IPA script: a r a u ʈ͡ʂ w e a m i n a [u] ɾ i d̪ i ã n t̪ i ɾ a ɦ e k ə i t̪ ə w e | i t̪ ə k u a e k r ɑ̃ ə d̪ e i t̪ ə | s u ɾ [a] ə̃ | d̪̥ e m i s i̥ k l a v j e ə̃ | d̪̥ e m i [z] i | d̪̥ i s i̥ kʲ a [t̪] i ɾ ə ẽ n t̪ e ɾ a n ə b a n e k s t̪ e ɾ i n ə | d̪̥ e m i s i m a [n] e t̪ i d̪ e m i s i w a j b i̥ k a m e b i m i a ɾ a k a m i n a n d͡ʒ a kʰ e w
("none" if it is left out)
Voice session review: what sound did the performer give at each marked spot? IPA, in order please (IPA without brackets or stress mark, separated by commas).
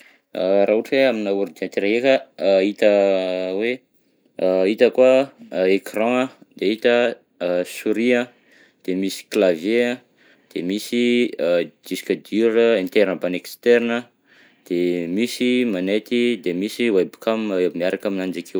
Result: u, i, s, d̪, n